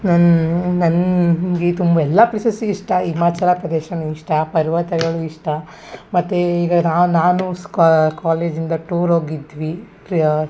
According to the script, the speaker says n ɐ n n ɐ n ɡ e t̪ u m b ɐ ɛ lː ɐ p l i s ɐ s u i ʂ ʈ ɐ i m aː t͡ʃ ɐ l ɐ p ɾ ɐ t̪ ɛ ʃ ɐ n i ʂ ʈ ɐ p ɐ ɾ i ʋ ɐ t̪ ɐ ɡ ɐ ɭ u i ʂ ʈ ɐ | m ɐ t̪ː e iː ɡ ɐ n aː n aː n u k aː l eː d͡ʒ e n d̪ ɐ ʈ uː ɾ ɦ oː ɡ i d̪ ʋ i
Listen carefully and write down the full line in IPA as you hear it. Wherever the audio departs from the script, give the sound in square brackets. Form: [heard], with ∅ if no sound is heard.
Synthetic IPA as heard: n ɐ n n ɐ n ɡ e t̪ u m b ɐ ɛ lː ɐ p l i s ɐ s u i ʂ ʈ ɐ i m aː t͡ʃ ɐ l ɐ p ɾ ɐ [d̪] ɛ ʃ ɐ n i ʂ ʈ ɐ p ɐ ɾ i ʋ ɐ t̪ ɐ ɡ ɐ ɭ u i ʂ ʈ ɐ | m ɐ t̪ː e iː ɡ ɐ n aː n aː n u k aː l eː d͡ʒ [i] n d̪ ɐ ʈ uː ɾ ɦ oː ɡ i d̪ ʋ i